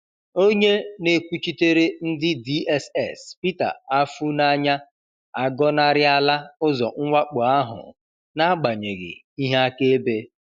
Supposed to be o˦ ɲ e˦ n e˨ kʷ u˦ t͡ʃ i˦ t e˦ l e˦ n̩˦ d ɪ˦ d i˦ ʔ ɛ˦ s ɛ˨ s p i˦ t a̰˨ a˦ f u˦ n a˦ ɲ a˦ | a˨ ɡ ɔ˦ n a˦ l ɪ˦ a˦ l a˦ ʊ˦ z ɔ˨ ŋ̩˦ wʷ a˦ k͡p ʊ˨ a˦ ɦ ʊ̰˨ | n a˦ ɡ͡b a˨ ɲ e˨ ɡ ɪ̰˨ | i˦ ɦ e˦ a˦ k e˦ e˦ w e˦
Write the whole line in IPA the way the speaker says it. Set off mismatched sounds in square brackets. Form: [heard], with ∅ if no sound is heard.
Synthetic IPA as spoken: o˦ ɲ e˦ n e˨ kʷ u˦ t͡ʃ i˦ t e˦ [ɾ] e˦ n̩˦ d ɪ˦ d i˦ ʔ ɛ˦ s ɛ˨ s p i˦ t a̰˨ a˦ f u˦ n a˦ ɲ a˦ | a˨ ɡ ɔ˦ n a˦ [ɾ] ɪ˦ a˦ l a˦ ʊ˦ z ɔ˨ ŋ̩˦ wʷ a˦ k͡p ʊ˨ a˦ ɦ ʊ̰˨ | n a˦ ɡ͡b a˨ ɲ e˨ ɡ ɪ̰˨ | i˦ ɦ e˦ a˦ k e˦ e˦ [b] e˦